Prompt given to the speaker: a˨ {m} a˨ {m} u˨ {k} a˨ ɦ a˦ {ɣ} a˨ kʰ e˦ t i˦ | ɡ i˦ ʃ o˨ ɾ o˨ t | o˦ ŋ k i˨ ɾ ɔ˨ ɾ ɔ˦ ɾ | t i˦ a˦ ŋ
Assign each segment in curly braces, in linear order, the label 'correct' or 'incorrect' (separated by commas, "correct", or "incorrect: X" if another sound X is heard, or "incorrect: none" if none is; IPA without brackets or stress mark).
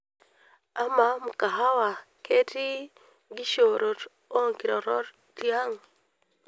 correct, correct, correct, incorrect: w